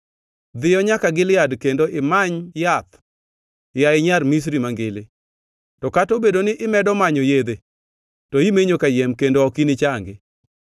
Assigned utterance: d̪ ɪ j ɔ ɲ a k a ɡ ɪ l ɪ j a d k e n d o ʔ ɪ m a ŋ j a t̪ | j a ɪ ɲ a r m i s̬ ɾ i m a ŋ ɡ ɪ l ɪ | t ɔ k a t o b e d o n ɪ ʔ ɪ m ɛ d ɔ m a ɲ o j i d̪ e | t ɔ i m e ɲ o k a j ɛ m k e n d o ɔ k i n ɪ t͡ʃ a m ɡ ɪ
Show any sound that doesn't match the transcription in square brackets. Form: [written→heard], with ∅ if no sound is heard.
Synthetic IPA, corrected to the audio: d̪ ɪ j ɔ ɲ a k a ɡ ɪ l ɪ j a d k e n d o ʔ ɪ m a [ŋ→ɲ] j a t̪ | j a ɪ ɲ a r m i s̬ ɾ i m a ŋ ɡ ɪ l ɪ | t ɔ k a t o b e d o n ɪ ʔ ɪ m ɛ d ɔ m a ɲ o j [i→e] d̪ e | t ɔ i m e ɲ o k a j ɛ m k e n d o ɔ k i n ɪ t͡ʃ a [m→ŋ] ɡ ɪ